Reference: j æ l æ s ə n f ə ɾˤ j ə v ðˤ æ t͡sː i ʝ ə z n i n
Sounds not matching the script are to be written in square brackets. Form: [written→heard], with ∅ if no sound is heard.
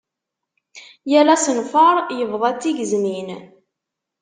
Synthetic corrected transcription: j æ l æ s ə n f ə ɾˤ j ə v ðˤ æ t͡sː i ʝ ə z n i n